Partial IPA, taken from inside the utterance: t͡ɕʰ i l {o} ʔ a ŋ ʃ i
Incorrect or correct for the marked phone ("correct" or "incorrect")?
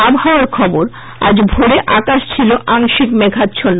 correct